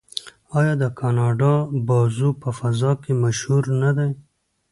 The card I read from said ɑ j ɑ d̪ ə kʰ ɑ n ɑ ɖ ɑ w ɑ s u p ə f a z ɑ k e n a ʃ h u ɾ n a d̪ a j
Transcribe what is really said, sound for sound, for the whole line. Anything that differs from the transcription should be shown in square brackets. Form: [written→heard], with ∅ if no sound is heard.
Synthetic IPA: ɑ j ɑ d̪ ə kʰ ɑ n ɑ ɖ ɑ [w→b] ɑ [s→z] u p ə f a z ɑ k e [n→m] a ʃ h u ɾ n a d̪ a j